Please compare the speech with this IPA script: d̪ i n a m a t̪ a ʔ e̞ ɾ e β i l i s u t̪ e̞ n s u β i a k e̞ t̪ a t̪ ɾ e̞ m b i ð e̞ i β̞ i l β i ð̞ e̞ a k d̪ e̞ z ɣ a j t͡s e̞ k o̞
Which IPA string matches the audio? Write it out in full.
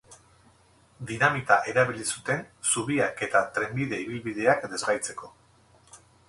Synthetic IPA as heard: d̪ i n a m i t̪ a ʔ e̞ ɾ a β i l i s u t̪ e̞ n s u β i a k e̞ t̪ a t̪ ɾ e̞ m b i ð e̞ i β̞ i l β i ð̞ e̞ a k d̪ e̞ z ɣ a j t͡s e̞ k o̞